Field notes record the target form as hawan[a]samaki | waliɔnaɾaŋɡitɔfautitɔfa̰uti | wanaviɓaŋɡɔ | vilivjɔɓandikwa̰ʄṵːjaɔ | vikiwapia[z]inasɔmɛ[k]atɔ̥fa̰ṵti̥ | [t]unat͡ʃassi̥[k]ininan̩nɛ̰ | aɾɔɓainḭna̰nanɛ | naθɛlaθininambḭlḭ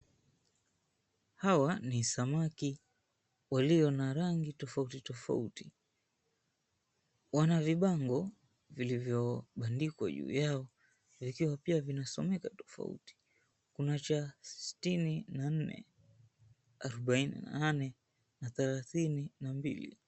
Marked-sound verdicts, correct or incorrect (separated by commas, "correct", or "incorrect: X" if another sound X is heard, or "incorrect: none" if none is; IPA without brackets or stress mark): incorrect: i, incorrect: v, correct, incorrect: k, incorrect: t